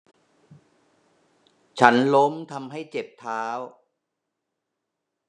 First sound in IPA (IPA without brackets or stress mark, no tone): t͡ɕʰ